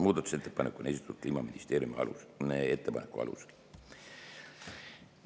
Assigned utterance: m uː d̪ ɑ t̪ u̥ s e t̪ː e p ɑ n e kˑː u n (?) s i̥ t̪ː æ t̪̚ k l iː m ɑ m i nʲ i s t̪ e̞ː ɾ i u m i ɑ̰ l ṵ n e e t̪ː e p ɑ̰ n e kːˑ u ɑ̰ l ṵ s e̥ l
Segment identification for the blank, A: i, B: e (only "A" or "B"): B